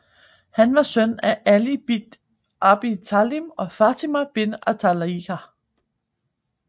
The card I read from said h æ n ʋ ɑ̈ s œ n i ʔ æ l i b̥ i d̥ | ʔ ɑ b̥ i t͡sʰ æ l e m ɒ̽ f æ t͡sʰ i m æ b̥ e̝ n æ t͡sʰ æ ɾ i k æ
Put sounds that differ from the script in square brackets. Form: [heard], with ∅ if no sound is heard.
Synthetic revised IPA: h æ n ʋ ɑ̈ s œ n [æ] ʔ æ l i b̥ i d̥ | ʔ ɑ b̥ i t͡sʰ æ l [i] m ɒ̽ f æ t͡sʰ i m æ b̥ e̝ n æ t͡sʰ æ [l] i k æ

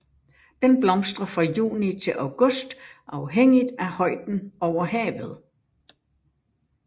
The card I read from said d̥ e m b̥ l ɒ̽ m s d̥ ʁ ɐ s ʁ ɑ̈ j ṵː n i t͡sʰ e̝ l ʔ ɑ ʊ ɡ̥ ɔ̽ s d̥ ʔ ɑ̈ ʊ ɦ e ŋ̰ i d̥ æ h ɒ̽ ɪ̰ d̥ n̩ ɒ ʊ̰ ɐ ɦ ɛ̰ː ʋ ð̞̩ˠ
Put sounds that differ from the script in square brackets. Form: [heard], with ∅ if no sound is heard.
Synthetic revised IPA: d̥ e [n] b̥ l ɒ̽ m s d̥ ʁ ɐ [f] ʁ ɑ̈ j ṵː n i t͡sʰ e̝ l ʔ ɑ ʊ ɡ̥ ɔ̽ s d̥ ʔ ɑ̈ ʊ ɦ e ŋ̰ i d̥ æ h ɒ̽ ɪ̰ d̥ n̩ ɒ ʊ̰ ɐ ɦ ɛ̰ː ʋ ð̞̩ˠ

